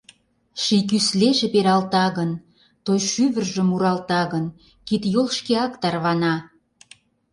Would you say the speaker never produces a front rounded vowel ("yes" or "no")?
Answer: no